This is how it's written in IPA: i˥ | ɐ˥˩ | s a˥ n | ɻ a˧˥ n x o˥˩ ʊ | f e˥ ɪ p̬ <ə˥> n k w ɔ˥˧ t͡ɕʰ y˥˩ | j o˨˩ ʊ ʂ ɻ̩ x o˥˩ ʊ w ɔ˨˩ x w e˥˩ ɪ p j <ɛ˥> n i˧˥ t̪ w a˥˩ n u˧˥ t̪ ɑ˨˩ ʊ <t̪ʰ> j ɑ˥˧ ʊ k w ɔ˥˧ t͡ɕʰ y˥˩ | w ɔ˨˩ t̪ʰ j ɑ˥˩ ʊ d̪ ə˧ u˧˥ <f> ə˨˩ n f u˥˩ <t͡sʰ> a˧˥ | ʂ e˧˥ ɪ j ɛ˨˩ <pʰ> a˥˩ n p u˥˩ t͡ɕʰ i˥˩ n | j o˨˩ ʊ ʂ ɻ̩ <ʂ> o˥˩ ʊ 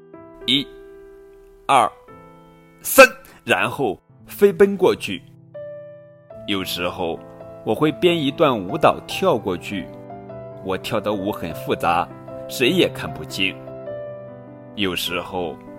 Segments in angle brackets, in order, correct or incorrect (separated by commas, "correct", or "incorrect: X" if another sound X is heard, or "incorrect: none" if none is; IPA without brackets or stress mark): correct, correct, correct, incorrect: x, incorrect: t͡s, incorrect: kʰ, incorrect: x